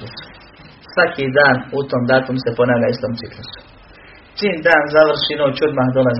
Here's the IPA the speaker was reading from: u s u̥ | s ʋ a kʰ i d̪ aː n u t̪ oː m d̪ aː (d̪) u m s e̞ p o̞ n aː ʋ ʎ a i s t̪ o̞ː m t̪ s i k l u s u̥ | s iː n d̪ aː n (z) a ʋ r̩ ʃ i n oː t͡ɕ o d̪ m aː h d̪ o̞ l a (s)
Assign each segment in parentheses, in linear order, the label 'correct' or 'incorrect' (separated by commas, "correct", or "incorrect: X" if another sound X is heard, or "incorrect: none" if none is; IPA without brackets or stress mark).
incorrect: t̪, correct, incorrect: z